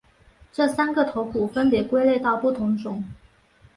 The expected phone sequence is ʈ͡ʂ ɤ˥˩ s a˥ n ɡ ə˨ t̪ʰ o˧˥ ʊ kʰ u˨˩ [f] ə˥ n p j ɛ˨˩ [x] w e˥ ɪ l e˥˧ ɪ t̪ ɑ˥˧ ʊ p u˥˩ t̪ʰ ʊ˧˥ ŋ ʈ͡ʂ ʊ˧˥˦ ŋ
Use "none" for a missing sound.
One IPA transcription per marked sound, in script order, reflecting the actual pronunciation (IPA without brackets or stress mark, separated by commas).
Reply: f, k